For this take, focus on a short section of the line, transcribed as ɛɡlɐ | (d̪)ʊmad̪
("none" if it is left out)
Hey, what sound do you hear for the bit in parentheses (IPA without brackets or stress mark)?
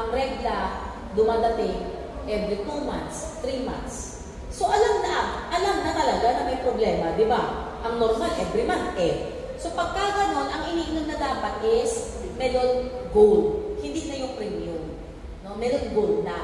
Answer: d̪